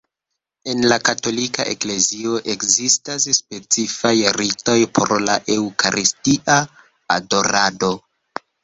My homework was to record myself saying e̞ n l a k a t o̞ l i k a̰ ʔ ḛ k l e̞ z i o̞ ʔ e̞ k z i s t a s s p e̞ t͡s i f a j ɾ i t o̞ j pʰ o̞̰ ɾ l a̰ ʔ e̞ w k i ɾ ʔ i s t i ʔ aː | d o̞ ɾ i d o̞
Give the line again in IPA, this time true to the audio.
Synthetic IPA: e̞ n l a k a t o̞ l i k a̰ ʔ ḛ k l e̞ z i o̞ ʔ e̞ k z i s t a s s p e̞ t͡s i f a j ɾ i t o̞ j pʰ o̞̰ ɾ l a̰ ʔ e̞ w k a ɾ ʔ i s t i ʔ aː | d o̞ ɾ a d o̞